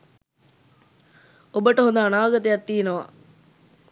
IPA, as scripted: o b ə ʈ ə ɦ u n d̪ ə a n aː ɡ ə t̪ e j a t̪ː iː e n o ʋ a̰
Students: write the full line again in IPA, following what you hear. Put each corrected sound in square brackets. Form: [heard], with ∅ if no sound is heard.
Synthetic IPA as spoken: o b ə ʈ ə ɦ [o] n d̪ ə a n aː ɡ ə t̪ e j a t̪ː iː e n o ʋ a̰